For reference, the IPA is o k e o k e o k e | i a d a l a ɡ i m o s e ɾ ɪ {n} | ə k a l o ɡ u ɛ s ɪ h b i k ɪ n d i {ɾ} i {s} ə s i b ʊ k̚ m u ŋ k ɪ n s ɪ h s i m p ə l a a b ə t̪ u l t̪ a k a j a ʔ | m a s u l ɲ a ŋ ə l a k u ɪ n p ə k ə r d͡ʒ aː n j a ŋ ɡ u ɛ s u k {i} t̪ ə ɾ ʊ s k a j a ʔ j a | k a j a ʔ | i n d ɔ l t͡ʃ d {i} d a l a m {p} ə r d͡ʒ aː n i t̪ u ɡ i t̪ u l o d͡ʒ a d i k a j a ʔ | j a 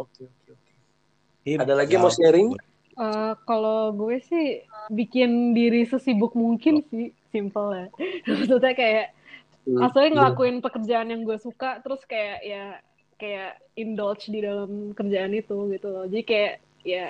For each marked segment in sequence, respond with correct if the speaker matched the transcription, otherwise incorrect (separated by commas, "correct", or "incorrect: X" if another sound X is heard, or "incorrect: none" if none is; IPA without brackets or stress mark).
incorrect: ŋ, correct, correct, incorrect: a, correct, incorrect: k